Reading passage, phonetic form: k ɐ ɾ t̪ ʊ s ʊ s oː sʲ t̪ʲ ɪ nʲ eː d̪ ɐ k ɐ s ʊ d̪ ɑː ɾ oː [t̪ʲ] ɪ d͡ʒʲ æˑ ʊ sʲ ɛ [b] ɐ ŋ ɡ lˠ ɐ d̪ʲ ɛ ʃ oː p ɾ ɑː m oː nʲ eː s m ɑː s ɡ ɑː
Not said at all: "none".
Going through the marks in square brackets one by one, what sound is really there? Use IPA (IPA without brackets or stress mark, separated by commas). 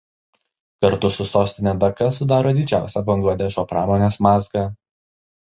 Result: d̪ʲ, b